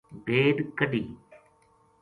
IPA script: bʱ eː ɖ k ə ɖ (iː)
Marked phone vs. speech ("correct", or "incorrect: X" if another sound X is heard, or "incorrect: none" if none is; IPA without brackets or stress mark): correct